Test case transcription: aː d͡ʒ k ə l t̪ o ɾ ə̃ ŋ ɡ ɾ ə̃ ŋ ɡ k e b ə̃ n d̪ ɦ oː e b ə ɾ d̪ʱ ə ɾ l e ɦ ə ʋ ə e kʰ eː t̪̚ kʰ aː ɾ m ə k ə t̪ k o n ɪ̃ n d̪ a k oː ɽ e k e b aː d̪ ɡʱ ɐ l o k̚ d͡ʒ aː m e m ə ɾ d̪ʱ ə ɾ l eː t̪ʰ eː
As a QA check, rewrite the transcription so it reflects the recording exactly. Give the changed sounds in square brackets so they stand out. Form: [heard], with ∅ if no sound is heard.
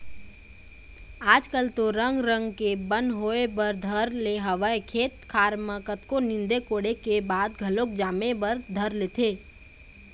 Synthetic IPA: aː d͡ʒ k ə l t̪ o ɾ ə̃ ŋ ɡ ɾ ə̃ ŋ ɡ k e b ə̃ n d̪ ɦ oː e b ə ɾ d̪ʱ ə ɾ l e ɦ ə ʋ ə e kʰ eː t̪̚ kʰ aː ɾ m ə k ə t̪ k o n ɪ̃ n d̪ [e] k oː ɽ e k e b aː d̪ ɡʱ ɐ l o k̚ d͡ʒ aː m e [b] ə ɾ d̪ʱ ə ɾ l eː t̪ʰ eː